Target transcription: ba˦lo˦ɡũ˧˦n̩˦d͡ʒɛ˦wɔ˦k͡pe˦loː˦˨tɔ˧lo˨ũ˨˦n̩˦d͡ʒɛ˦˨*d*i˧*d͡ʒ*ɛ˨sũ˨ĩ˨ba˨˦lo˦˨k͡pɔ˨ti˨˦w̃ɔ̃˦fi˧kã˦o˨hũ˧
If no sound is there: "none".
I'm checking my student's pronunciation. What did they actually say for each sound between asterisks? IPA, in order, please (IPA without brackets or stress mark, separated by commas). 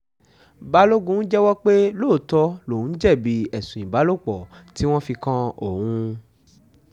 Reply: b, none